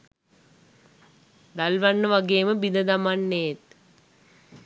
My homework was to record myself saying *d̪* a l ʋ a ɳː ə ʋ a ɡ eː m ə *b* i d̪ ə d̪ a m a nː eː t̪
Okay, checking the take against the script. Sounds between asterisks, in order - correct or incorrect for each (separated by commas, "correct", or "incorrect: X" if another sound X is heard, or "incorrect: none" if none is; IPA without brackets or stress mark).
correct, correct